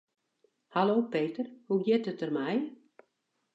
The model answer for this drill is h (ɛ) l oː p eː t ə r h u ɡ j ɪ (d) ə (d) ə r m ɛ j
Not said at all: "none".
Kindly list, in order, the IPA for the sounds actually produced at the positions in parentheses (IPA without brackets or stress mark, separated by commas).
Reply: a, t, t